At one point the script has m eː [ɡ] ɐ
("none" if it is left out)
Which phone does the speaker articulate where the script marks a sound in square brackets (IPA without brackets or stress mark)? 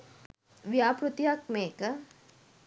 k